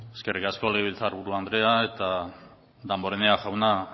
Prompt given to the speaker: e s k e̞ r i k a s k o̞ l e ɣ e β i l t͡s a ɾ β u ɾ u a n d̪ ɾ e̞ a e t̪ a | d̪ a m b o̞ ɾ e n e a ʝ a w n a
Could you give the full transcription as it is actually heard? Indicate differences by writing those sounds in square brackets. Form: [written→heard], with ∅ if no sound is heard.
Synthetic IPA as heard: e s k e̞ r i k a s k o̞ l e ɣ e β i l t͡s a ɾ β u ɾ u a n d̪ ɾ e̞ a e t̪ a | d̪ a m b o̞ ɾ e n e a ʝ a w n a